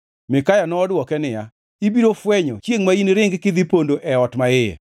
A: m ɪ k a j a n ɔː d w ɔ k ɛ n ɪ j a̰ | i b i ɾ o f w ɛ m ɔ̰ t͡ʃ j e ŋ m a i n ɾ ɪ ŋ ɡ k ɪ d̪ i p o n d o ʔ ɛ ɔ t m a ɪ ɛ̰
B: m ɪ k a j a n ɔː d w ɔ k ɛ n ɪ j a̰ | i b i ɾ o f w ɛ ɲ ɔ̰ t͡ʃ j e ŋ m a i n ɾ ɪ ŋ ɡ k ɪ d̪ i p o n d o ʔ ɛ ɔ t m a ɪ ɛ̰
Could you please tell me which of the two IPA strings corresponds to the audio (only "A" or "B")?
B